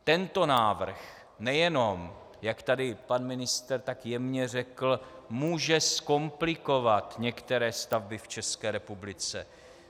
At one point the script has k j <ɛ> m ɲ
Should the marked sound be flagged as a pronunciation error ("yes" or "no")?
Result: no